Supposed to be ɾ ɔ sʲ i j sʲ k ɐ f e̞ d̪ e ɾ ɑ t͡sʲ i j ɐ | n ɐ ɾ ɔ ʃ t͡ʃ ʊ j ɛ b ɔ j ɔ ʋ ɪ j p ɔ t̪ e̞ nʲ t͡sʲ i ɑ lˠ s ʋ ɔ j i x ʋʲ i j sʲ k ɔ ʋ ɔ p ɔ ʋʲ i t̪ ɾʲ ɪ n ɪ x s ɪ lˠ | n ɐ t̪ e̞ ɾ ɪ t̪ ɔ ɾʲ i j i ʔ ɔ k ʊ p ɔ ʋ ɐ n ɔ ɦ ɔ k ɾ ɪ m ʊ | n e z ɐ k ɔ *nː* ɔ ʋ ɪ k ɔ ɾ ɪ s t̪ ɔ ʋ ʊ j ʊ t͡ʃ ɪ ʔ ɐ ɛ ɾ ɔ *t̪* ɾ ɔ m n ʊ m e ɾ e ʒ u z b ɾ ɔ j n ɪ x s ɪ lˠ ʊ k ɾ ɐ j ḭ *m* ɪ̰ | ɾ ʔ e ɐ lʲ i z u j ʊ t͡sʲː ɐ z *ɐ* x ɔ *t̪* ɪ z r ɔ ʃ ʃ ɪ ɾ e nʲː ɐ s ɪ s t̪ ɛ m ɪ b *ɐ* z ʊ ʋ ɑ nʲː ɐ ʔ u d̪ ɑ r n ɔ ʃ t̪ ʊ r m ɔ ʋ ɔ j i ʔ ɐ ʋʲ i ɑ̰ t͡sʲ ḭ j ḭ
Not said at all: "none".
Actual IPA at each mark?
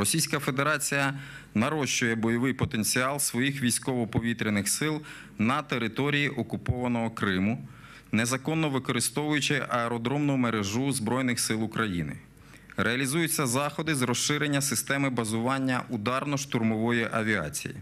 nː, d̪, n, ɑ, d̪, ɐ

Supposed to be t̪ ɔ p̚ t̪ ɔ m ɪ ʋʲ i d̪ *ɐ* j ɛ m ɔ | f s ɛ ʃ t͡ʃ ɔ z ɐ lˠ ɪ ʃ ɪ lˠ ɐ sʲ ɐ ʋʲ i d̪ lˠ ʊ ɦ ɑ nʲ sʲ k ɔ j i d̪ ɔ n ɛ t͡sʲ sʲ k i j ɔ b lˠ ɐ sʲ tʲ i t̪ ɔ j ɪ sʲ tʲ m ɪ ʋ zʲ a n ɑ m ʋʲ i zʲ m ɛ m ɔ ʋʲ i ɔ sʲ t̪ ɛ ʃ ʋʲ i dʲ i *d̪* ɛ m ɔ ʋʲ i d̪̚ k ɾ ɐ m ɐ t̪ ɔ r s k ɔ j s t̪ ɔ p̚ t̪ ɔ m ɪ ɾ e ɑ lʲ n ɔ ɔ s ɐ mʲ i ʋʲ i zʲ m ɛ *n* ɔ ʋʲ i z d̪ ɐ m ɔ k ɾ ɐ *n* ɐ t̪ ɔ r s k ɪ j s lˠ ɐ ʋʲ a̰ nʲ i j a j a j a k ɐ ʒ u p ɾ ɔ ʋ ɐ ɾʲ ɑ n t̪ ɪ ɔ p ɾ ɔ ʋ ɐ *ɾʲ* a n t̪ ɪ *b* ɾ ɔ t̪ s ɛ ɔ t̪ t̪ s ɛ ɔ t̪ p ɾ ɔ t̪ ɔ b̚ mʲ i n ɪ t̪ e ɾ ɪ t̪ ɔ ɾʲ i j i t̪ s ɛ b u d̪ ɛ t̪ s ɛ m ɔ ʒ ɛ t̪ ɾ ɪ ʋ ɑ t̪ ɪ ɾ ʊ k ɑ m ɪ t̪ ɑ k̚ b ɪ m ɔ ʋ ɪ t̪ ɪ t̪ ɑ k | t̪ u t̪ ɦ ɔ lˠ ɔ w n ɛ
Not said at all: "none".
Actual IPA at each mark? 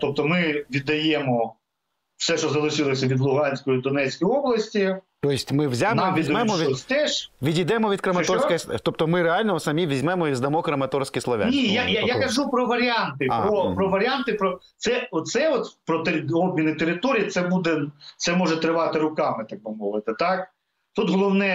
ɐ, d̪, m, m, ɾʲ, p

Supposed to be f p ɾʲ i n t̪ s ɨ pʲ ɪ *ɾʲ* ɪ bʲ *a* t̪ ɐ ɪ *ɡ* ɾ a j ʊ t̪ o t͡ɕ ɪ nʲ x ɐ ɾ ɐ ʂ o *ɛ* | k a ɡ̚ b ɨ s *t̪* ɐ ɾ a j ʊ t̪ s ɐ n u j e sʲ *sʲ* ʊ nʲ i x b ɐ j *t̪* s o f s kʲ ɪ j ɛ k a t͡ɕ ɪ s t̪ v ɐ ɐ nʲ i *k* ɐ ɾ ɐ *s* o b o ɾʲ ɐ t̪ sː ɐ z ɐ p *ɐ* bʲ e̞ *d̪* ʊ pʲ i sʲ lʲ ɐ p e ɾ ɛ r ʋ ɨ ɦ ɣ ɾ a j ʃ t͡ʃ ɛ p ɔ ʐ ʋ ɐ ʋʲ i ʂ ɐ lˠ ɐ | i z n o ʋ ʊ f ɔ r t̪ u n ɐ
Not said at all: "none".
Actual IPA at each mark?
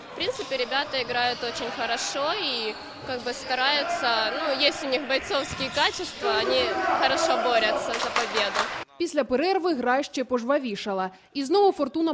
ɾʲ, a, ɡ, i, t̪, tʲ, t̪, x, ʂ, ɐ, d̪

